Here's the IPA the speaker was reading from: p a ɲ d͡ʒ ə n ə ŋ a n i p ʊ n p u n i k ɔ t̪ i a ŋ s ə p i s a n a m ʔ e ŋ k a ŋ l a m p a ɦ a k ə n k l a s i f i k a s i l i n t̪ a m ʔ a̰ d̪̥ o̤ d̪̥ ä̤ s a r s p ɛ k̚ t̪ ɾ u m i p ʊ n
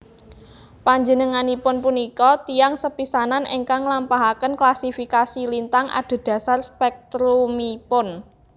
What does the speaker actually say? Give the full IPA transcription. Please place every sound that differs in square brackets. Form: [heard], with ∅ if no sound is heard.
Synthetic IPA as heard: p a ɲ d͡ʒ ə n ə ŋ a n i p ʊ n p u n i k ɔ t̪ i a ŋ s ə p i s a n a [n] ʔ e ŋ k a ŋ l a m p a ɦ a k ə n k l a s i f i k a s i l i n t̪ a [ŋ] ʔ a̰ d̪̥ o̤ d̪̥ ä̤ s a r s p ɛ k̚ t̪ ɾ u m i p ʊ n